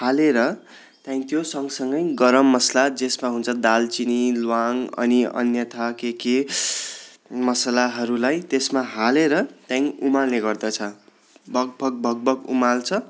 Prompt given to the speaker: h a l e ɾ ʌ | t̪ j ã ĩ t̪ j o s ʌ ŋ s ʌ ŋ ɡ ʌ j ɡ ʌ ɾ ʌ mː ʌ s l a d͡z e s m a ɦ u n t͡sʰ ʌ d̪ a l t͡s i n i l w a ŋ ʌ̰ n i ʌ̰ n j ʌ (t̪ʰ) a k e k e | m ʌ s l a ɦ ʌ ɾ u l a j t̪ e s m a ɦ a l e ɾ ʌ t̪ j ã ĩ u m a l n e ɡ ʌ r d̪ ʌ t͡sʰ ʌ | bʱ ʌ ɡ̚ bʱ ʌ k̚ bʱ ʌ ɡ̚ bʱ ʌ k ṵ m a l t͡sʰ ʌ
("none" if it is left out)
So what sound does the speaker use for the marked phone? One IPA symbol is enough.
t̪ʰ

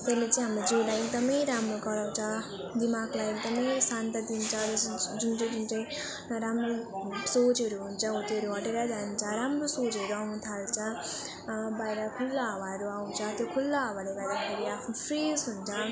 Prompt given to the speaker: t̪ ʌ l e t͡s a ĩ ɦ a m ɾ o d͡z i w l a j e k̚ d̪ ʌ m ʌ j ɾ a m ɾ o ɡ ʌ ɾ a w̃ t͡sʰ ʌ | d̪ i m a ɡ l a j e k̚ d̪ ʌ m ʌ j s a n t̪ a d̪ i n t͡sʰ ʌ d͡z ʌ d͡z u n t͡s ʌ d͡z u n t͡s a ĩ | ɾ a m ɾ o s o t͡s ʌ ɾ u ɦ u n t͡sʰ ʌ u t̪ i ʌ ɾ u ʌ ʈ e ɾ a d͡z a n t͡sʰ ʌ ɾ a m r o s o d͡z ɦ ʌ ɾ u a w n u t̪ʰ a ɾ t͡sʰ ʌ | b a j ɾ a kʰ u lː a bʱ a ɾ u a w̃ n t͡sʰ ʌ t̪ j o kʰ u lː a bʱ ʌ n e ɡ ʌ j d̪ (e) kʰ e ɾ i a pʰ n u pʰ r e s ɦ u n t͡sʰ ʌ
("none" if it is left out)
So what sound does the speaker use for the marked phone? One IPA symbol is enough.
a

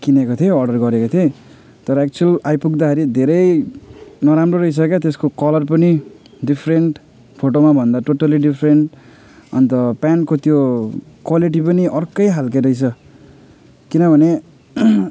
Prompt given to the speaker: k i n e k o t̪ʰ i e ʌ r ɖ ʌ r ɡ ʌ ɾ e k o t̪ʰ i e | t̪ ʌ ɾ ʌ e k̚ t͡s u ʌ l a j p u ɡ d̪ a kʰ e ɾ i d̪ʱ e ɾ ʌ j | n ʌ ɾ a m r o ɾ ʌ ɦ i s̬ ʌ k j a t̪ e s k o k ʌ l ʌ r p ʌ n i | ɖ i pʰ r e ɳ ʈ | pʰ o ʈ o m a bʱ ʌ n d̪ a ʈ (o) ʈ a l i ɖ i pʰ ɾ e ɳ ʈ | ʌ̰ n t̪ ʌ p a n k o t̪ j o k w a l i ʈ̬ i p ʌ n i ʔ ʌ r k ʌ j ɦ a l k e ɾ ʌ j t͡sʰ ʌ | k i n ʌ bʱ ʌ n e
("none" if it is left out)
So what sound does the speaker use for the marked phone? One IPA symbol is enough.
o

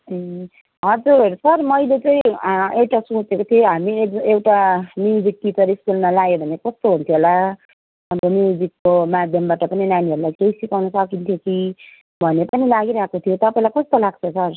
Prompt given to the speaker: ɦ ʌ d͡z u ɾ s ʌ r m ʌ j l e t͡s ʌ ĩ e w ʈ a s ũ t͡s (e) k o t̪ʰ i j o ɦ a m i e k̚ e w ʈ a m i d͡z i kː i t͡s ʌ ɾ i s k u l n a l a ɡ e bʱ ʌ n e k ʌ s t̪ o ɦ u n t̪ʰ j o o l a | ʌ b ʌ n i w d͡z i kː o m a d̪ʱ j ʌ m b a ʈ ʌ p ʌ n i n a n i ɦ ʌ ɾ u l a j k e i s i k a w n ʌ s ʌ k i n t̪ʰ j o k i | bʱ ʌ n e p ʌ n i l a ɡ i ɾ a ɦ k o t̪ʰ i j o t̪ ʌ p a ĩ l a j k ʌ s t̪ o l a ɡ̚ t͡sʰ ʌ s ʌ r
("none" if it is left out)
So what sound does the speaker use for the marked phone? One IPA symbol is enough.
e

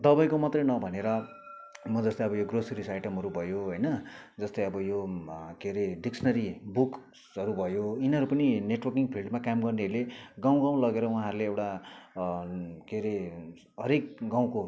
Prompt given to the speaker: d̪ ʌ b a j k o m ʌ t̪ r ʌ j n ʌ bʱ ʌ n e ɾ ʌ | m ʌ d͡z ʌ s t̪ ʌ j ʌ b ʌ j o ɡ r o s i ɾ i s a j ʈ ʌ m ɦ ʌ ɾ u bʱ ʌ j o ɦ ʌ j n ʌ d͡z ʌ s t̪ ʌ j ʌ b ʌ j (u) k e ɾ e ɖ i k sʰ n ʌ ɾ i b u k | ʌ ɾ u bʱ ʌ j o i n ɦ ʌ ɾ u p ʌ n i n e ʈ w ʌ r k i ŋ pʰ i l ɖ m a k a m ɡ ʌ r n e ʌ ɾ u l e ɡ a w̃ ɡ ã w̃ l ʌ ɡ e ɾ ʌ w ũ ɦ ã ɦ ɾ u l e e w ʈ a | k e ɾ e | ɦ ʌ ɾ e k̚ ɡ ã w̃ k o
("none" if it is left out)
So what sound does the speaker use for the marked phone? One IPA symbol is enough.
o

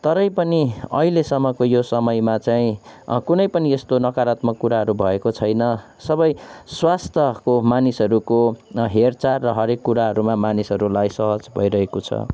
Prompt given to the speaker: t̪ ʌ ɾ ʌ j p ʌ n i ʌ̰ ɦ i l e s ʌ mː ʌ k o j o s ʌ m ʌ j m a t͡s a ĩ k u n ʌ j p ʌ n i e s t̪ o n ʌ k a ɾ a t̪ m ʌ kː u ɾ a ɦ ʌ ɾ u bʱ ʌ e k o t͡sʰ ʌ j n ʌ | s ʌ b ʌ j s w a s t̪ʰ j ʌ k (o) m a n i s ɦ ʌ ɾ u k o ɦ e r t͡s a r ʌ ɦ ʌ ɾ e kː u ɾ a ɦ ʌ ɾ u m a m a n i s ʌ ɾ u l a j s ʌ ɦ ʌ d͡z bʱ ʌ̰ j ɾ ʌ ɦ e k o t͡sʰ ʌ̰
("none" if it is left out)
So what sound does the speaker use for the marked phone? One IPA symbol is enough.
o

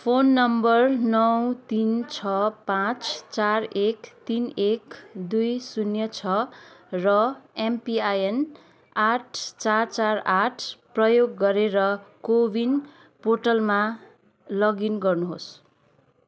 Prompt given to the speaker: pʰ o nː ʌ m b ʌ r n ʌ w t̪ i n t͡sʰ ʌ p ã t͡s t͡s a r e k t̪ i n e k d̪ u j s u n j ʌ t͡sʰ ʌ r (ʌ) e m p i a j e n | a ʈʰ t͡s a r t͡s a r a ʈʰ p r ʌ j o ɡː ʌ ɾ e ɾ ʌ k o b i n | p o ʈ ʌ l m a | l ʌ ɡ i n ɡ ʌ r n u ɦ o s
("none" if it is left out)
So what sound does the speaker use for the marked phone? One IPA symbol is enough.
ʌ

